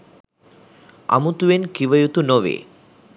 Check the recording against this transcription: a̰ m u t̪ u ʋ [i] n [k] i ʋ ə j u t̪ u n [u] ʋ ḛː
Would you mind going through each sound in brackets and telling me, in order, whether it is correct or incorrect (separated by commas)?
incorrect, correct, incorrect